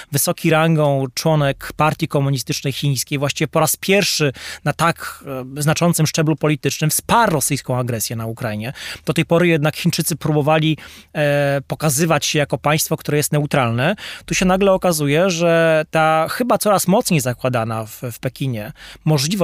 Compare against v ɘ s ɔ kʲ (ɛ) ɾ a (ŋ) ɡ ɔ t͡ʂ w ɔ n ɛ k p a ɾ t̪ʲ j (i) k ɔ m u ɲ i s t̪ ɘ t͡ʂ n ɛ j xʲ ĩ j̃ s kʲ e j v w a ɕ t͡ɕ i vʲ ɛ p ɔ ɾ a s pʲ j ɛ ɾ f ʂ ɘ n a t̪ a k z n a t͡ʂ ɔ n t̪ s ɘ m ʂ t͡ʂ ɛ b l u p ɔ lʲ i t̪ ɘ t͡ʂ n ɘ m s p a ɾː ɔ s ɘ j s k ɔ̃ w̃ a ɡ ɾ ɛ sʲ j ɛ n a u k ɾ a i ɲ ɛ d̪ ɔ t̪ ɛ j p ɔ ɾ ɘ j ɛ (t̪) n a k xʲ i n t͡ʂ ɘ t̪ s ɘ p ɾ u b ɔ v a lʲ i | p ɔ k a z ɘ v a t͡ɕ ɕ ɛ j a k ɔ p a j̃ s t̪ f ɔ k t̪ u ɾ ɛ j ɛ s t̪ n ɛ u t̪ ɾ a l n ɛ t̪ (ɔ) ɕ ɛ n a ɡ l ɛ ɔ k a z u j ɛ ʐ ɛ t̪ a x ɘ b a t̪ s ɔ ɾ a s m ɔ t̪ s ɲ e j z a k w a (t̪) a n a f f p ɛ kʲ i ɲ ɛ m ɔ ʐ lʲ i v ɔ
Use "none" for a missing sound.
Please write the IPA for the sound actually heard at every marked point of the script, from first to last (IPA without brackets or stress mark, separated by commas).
i, ŋ, i, d̪, u, d̪